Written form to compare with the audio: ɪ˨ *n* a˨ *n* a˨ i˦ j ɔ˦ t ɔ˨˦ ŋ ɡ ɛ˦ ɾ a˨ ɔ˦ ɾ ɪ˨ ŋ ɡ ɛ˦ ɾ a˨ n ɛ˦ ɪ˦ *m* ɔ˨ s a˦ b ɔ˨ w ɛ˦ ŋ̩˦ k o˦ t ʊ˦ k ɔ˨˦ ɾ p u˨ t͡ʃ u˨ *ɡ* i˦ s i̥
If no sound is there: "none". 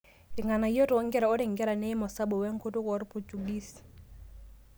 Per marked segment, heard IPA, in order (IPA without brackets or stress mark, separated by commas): ŋ, n, m, ɡ